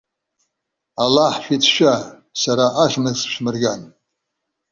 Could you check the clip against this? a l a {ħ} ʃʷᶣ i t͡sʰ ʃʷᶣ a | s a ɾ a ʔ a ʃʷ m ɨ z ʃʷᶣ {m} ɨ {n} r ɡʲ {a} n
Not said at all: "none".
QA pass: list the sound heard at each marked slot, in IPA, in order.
ħ, m, none, a

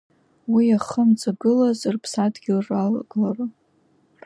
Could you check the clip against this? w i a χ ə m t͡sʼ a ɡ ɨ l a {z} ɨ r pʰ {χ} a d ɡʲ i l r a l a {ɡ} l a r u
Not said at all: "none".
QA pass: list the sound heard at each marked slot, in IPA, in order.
z, s, ɡ

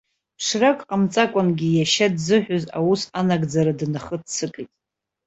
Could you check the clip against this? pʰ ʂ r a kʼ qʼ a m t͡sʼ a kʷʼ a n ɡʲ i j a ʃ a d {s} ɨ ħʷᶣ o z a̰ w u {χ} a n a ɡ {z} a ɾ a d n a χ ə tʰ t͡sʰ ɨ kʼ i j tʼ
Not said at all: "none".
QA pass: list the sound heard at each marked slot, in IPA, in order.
z, s, d͡z

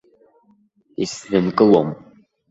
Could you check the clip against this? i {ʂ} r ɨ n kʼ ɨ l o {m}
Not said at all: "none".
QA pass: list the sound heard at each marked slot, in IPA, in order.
s, m

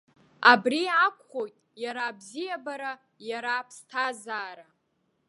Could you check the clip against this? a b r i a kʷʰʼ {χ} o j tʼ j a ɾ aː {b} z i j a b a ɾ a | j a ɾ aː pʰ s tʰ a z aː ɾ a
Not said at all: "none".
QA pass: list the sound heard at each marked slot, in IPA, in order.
χ, b

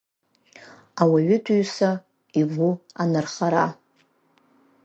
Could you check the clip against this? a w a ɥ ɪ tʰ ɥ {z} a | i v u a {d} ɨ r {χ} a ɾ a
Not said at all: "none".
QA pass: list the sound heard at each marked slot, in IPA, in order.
s, n, χ

